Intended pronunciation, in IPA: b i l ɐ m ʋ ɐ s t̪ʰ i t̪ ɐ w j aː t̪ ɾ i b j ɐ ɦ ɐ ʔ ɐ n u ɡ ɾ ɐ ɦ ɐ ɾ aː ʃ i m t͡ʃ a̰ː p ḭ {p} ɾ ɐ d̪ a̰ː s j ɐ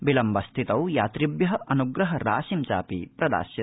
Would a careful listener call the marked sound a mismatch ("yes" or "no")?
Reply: no